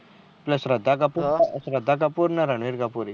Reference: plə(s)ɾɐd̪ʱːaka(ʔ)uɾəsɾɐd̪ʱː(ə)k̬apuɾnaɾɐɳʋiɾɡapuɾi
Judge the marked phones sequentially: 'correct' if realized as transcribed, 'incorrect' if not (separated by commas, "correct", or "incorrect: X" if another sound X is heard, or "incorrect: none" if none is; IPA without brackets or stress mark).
correct, incorrect: p, incorrect: a